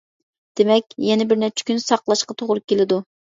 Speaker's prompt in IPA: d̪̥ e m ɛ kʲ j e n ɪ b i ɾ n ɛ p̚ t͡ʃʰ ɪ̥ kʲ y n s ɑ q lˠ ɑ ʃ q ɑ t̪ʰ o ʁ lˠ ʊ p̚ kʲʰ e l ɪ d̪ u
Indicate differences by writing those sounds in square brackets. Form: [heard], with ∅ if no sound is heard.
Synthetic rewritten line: d̪̥ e m ɛ kʲ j [ɛ] n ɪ b [ɪ] ɾ n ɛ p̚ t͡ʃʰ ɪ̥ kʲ y n s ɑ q lˠ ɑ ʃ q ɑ t̪ʰ o ʁ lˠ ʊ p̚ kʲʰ e l ɪ d̪ u

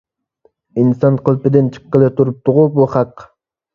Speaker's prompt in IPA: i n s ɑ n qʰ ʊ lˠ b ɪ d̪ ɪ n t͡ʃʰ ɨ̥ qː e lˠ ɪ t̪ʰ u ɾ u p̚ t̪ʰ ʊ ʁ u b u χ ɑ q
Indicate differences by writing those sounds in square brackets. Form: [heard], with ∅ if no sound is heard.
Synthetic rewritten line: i n s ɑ n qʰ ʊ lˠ [p] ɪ d̪ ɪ n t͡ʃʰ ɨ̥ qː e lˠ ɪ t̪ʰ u ɾ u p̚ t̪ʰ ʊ ʁ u b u χ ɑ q

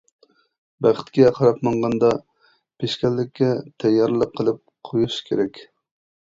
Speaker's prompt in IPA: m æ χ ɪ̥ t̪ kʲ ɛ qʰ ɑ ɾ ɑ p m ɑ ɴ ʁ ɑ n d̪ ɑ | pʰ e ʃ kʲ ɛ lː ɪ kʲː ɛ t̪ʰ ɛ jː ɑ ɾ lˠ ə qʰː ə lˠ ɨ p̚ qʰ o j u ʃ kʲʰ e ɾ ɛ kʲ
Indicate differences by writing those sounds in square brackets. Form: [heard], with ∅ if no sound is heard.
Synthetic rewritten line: [b] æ χ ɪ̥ t̪ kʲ ɛ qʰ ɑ ɾ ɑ p m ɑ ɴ ʁ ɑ n d̪ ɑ | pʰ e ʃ kʲ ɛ lː ɪ kʲː ɛ t̪ʰ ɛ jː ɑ ɾ lˠ ə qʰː ə lˠ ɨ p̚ qʰ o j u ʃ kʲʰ e ɾ ɛ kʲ

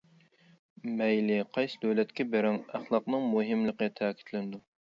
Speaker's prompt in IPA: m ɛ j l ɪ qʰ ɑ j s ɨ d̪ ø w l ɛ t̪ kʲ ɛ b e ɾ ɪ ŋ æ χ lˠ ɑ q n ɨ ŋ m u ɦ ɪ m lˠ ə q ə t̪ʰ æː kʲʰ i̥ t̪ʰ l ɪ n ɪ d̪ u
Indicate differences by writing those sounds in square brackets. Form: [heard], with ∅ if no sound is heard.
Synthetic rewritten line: m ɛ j l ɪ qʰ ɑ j s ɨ d̪ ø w l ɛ t̪ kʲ ɛ b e ɾ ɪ ŋ æ χ lˠ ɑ q n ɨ ŋ m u ɦ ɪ m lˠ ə q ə t̪ʰ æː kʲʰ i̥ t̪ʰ l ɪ n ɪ d̪ u

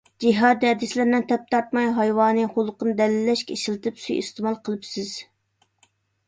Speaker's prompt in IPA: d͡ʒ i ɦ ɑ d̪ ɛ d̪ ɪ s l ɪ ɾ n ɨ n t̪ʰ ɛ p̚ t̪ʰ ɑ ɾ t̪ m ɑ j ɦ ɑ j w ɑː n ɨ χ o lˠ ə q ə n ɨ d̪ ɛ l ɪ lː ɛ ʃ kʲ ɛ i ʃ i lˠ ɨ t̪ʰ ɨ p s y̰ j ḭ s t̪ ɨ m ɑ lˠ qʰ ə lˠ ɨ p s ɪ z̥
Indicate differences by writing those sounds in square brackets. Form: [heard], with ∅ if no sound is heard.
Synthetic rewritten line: d͡ʒ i ɦ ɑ d̪ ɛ d̪ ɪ s l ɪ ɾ n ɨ n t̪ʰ ɛ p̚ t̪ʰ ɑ ɾ t̪ m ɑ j ɦ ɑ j w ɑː n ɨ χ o lˠ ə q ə n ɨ d̪ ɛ l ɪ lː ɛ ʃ kʲ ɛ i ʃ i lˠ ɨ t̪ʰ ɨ p s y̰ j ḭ s t̪ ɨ m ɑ lˠ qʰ ə lˠ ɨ p s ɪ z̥

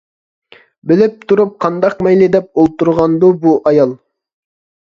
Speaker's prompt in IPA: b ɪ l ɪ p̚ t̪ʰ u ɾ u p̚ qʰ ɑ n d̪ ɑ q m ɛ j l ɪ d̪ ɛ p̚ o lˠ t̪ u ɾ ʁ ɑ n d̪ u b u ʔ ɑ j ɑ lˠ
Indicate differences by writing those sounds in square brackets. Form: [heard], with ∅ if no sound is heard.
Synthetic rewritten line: b ɪ l ɪ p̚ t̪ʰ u ɾ u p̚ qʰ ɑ n d̪ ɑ q m ɛ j l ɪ d̪ ɛ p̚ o lˠ t̪ u ɾ ʁ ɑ n d̪ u b u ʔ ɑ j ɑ lˠ

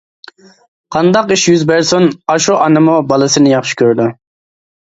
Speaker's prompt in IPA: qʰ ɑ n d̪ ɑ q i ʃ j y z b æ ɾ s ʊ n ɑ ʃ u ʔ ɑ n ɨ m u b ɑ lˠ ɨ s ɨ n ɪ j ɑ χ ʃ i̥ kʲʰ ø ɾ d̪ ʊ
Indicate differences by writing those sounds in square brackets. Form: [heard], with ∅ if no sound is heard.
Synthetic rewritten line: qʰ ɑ n d̪ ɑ q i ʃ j y z b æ ɾ s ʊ n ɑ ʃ u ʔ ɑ n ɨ m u b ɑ lˠ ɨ s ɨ n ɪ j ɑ χ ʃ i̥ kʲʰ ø ɾ d̪ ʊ

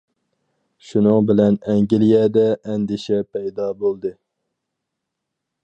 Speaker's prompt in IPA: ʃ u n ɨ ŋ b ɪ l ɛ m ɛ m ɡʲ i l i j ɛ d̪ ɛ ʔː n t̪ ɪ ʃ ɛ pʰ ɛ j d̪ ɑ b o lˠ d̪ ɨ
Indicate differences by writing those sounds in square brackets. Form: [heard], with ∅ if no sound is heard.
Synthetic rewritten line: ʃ u n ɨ ŋ b ɪ l ɛ [n] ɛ [ŋ] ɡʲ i l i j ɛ d̪ ɛ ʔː n [d̪] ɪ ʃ ɛ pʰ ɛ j d̪ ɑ b o lˠ d̪ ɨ

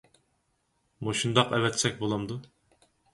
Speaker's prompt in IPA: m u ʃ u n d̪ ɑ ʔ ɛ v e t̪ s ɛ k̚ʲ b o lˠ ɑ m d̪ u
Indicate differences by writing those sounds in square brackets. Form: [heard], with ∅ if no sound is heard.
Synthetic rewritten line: m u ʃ u n d̪ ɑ [q] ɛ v [ɛ] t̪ s ɛ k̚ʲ b o lˠ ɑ m d̪ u

